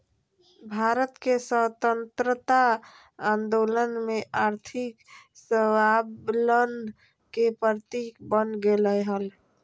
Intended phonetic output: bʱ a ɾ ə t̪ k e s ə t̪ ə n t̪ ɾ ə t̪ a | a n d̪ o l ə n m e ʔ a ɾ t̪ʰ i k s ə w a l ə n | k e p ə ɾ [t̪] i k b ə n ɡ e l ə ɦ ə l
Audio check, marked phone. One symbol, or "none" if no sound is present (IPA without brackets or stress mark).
t̪